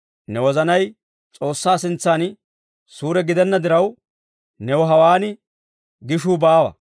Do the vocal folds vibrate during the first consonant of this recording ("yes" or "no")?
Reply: yes